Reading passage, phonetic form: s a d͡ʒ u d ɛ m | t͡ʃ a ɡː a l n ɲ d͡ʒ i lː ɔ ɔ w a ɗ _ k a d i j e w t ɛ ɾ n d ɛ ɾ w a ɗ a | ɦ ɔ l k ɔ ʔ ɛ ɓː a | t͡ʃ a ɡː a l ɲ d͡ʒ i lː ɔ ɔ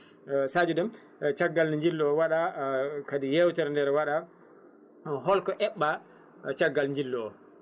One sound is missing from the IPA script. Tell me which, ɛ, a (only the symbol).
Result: a